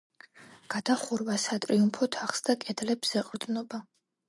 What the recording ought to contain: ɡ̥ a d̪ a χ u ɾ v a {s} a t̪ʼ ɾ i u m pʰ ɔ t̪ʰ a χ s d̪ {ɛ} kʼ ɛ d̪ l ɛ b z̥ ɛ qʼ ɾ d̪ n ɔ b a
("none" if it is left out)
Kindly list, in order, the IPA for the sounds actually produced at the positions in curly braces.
s, a

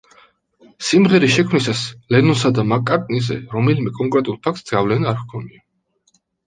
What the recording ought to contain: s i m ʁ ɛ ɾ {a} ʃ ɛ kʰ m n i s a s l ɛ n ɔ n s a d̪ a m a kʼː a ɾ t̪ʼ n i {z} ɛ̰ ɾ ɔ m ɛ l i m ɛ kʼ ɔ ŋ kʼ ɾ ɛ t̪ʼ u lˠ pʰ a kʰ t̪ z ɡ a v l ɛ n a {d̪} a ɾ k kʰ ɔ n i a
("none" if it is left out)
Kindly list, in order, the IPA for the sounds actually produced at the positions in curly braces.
i, z, none

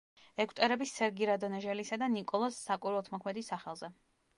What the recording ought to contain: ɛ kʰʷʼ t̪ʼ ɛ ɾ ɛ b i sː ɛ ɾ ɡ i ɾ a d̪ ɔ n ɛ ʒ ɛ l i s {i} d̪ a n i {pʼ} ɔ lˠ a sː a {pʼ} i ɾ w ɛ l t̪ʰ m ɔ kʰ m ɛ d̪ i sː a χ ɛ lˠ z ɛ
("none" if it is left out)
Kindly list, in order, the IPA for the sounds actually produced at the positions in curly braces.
a, kʼ, kʼ

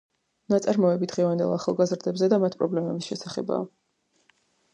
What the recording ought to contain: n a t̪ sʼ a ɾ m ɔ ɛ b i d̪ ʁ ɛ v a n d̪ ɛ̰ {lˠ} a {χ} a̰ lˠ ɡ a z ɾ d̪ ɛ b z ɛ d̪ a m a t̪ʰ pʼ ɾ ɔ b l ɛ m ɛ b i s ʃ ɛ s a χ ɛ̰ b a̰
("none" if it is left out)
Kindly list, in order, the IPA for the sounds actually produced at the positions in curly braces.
lˠ, χ

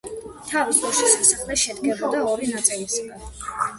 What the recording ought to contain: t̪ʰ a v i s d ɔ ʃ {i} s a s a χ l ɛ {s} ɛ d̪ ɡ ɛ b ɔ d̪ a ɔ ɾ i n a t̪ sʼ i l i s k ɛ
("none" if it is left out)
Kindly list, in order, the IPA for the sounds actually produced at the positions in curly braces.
i, ʃ

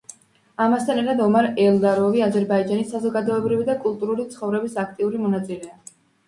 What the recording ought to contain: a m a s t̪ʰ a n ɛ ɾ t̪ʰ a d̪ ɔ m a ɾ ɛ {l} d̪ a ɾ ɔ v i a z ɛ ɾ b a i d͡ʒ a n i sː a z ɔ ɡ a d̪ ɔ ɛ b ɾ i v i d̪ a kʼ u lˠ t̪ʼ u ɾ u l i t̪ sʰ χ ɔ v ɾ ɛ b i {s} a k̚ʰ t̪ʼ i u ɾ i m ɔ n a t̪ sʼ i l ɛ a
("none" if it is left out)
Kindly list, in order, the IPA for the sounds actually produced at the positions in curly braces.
l, s

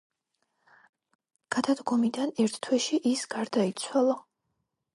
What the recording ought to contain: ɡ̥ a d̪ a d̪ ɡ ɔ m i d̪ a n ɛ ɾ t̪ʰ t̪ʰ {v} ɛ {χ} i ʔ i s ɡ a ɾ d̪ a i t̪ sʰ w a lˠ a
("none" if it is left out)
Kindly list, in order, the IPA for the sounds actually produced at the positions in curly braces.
w, ʃ

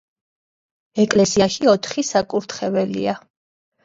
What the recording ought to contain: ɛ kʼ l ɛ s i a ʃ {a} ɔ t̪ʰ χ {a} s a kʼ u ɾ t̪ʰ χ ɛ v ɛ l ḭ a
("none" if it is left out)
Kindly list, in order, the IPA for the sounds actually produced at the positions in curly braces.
i, i

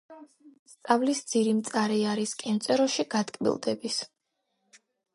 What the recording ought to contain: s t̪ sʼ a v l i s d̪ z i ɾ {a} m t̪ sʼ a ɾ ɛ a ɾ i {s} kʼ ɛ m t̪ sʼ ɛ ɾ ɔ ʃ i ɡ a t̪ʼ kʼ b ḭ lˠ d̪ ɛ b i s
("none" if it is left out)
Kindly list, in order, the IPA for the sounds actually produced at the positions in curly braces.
i, s

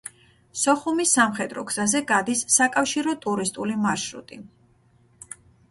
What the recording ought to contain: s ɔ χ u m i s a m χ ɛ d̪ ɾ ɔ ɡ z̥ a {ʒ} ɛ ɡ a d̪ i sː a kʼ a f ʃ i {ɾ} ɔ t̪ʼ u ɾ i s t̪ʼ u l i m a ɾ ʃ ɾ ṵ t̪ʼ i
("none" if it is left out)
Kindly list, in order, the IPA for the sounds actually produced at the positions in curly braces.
z, ɾ

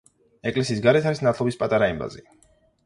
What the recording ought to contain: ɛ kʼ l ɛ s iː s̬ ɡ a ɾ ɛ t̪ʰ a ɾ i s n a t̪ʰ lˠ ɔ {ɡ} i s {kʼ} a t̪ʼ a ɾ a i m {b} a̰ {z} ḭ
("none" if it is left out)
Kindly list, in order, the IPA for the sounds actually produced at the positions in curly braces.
b, pʼ, b, z

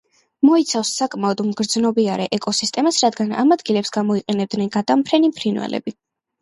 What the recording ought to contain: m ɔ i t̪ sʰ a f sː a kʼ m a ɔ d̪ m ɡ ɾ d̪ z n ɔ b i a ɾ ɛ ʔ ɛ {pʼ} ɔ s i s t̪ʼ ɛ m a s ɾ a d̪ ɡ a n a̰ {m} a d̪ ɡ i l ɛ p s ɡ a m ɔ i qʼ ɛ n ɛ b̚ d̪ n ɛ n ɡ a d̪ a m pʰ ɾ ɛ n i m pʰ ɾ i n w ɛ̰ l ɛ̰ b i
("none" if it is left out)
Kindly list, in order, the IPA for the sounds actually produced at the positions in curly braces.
kʼ, m

